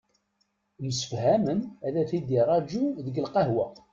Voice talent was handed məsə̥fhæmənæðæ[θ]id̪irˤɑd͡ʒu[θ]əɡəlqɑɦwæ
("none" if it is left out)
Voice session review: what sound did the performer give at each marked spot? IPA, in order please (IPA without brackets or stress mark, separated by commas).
θ, ð